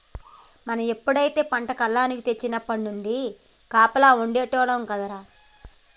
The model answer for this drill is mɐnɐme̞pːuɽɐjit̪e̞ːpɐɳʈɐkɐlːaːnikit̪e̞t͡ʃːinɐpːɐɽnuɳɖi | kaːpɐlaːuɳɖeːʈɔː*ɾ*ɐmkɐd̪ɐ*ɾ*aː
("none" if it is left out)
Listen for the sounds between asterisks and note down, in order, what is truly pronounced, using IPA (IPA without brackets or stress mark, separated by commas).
ɽ, ɾ